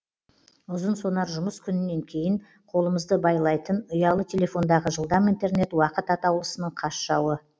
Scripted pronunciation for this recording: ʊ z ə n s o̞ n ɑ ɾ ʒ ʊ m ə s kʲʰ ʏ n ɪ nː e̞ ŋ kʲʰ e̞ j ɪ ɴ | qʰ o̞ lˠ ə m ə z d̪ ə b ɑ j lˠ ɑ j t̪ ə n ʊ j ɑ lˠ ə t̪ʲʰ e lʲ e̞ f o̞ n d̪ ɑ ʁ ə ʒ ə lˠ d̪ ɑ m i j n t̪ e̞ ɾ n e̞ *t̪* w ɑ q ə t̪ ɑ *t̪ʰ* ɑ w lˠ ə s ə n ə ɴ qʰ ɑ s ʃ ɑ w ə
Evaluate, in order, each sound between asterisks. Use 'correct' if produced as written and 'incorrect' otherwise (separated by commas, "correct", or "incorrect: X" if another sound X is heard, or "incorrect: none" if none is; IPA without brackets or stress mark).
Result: correct, incorrect: t̪